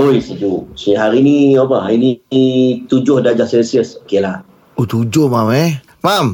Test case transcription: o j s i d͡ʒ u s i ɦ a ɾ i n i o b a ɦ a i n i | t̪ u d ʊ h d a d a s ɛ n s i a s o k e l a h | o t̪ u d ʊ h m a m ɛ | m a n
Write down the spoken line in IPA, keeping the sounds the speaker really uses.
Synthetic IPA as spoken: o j s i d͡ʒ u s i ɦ a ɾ i n i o b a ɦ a i n i | t̪ u d͡ʒ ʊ h d a d͡ʒ a s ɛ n s i ə s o k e l a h | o t̪ u d͡ʒ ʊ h m a m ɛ | m a m